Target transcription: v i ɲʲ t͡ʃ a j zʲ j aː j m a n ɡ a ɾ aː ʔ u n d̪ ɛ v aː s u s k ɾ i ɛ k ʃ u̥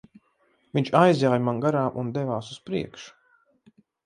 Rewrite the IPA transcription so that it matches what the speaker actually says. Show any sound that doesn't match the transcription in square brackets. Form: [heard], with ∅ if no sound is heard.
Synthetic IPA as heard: v i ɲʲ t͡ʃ a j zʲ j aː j m a n ɡ a ɾ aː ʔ u n d̪ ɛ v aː s u s [p] ɾ i ɛ k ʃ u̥